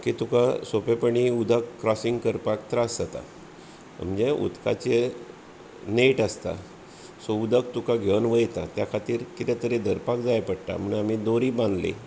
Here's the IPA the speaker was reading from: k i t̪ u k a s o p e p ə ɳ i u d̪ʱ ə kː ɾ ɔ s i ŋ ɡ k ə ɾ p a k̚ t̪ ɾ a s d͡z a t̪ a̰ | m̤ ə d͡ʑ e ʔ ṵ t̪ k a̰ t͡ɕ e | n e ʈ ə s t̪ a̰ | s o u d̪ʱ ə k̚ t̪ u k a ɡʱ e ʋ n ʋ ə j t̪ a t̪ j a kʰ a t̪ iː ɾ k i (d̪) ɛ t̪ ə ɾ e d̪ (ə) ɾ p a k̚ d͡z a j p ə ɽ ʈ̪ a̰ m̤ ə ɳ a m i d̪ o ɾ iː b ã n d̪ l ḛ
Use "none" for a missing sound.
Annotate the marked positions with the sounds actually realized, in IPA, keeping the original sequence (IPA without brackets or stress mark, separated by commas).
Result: t̪, ə